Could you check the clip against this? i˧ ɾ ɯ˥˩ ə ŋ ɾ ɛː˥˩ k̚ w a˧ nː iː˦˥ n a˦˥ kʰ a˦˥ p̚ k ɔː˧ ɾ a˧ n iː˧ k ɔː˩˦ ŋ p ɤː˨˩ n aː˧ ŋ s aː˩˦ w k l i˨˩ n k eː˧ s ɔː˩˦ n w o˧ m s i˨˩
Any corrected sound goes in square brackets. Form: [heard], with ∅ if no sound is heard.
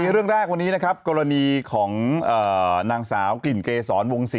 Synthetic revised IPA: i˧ ɾ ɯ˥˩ ə ŋ ɾ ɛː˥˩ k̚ w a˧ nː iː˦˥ n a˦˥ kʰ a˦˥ p̚ k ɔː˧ ɾ a˧ n iː˧ [kʰ] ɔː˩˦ ŋ [ʔ] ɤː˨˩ n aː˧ ŋ s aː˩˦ w k l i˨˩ n k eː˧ s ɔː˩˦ n w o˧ [ŋ] s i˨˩